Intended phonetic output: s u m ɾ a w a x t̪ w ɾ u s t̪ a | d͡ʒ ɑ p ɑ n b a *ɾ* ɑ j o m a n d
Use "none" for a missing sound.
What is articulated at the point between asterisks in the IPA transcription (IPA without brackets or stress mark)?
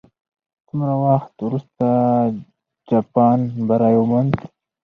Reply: ɾ